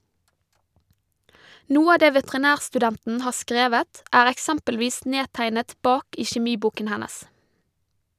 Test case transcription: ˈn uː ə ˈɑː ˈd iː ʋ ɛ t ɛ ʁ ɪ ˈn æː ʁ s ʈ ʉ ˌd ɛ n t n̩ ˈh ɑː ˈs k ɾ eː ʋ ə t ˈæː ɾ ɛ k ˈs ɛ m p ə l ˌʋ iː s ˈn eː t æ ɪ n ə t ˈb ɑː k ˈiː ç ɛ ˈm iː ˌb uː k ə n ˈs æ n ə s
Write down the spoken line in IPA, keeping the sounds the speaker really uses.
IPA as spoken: ˈn uː ə ˈɑː ˈd eː ʋ ɛ t ɛ ʁ ɪ ˈn æː ʁ s ʈ ʉ ˌd ɛ n t n̩ ˈh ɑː ˈs k ɾ eː ʋ ə t ˈæː ɾ ɛ k ˈs ɛ m p ə l ˌʋ iː s ˈn eː t æ ɪ n ə t ˈb ɑː k ˈiː ç ɛ ˈm iː ˌb uː k ə n ˈh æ n ə s

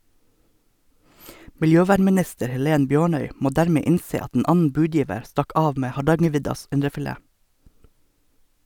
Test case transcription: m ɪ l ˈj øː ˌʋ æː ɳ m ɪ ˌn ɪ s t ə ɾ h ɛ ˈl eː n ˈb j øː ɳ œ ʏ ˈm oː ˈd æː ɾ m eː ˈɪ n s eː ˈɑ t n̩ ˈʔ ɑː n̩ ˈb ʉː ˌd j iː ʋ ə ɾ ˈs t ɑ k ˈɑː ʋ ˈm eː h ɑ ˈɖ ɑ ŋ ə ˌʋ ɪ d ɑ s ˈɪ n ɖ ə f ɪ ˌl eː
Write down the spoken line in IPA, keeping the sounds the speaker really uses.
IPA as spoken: m ɪ l ˈj øː ˌʋ æː ɳ m ɪ ˌn ɪ s t ə ɾ h ɛ ˈl eː n ˈb j øː ɳ œ ʏ ˈm oː ˈd æː ɾ m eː ˈɪ n s eː ˈɑ t n̩ ˈʔ ɑː n̩ ˈb ʉː ˌd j iː ʋ ə ɾ ˈs t ɑ k ˈɑː ʋ ˈm eː h ɑ ˈɖ ɑ ŋ ə ˌʋ ɪ d ɑ s ˈɪ n ɖ ə f ɪ ˌl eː

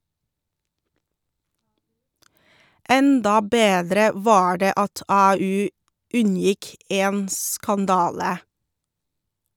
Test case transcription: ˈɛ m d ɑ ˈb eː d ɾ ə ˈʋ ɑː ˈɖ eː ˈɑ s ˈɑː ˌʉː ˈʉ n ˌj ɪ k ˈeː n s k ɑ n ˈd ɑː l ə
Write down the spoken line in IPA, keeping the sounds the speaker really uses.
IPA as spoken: ˈɛ n d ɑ ˈb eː d ɾ ə ˈʋ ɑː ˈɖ eː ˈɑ t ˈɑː ˌʉː ˈʉ n ˌj ɪ k ˈeː n s k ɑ n ˈd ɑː l ə

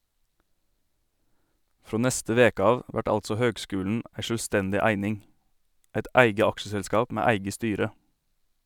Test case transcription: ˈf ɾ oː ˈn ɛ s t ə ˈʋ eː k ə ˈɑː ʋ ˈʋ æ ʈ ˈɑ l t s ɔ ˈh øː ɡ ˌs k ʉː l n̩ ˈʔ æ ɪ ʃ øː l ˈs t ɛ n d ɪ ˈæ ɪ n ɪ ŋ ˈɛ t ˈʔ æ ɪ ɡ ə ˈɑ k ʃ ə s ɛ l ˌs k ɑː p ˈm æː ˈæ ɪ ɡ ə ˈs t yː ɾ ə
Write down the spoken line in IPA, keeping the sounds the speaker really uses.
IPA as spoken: ˈf ɾ oː ˈn ɛ s t ə ˈʋ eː k ə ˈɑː ʋ ˈʋ æ ʈ ˈɑ l t s ɔ ˈh øː ɡ ˌs k ʉː l n̩ ˈʔ æ ɪ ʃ øː l ˈs t ɛ n d ɪ ˈæ ɪ n ɪ ŋ ˈɛ t ˈʔ æ ɪ ɡ ə ˈɑ k ʃ ə s ɛ l ˌs k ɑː p ˈm æː ˈæ ɪ ɡ ə ˈs t yː ɾ ə

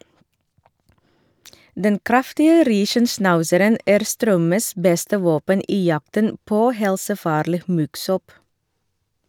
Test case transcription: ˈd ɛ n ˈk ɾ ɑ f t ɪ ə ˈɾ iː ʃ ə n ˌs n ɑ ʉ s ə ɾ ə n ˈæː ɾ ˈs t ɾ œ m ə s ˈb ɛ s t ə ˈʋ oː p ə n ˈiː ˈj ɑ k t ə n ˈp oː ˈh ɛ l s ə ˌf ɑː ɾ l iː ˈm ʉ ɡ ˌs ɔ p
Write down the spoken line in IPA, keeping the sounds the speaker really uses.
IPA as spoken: ˈd ɛ n ˈk ɾ ɑ f t ɪ ə ˈɾ iː ʃ ə n ˌs n ɑ ʉ s ə ɾ ə n ˈæː ɾ ˈs t ɾ œ m ə s ˈb ɛ s t ə ˈʋ oː p ə n ˈiː ˈj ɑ k t ə n ˈp oː ˈh ɛ l s ə ˌf ɑː ɾ l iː ˈm ʉ ɡ ˌs ɔ p

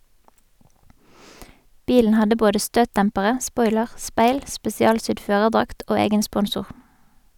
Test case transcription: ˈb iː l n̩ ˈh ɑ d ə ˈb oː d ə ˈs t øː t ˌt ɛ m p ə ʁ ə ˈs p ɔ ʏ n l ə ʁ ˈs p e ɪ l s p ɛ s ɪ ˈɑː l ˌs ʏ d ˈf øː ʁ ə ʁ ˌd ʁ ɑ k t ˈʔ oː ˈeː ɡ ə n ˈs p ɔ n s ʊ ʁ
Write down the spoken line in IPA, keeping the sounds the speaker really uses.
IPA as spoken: ˈb iː l n̩ ˈh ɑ d ə ˈb oː d ə ˈs t øː t ˌt ɛ m p ə ʁ ə ˈs p ɔ ʏ l ə ʁ ˈs p e ɪ l s p ɛ s ɪ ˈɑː l ˌs ʏ d ˈf øː ʁ ə ʁ ˌd ʁ ɑ k t ˈʔ oː ˈeː ɡ ə n ˈs p ɔ n s ʊ ʁ

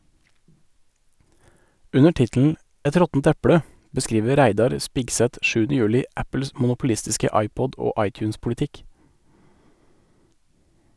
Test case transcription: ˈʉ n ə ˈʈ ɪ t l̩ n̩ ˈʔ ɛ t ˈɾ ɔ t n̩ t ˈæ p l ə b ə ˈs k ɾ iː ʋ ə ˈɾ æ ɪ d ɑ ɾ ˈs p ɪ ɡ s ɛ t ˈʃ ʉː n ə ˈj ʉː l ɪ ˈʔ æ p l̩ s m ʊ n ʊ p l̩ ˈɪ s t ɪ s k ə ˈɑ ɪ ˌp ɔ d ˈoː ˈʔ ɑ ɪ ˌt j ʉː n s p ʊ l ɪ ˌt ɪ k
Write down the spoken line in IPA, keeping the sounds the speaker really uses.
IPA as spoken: ˈʉ n ə ˈʈ ɪ t l̩ n̩ ˈʔ ɛ t ˈɾ ɔ t n̩ t ˈæ p ɽ ə b ə ˈs k ɾ iː ʋ ə ˈɾ æ ɪ d ɑ ɾ ˈs p ɪ ɡ s ɛ t ˈʃ ʉː n ə ˈj ʉː l ɪ ˈʔ æ p l̩ s m ʊ n ʊ p l̩ ˈɪ s t ɪ s k ə ˈɑ ɪ ˌp ɔ d ˈoː ˈʔ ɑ ɪ ˌt j ʉː n s p ʊ l ɪ ˌt ɪ k

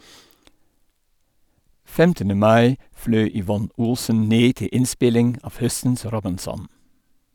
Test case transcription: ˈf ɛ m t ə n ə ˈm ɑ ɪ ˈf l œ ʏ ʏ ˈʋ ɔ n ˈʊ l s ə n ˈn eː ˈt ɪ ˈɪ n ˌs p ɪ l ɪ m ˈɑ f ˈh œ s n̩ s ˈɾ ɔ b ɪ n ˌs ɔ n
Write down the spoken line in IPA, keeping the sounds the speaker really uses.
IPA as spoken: ˈf ɛ m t ə n ə ˈm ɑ ɪ ˈf l œ ʏ ʏ ˈʋ ɔ n ˈʊ l s ə n ˈn eː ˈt ɪ ˈɪ n ˌs p ɪ l ɪ ŋ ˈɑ f ˈh œ s n̩ s ˈɾ ɔ b ɪ n ˌs ɔ n

